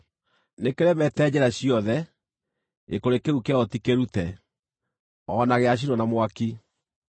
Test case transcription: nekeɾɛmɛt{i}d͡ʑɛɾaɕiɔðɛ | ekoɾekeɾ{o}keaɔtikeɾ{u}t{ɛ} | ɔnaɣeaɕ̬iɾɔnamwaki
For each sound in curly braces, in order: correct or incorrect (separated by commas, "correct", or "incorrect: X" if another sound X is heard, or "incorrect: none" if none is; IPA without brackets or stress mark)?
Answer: incorrect: ɛ, incorrect: u, correct, correct